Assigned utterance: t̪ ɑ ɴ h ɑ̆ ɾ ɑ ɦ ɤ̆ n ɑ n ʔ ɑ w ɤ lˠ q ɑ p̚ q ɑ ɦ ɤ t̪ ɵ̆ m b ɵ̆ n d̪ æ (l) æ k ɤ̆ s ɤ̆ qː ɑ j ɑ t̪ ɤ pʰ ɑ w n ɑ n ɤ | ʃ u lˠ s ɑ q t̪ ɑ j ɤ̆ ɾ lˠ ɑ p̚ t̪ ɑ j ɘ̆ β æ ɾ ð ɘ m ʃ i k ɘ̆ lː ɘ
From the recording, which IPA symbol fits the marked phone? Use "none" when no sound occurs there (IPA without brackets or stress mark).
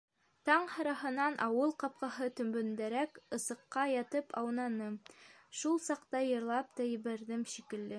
ɾ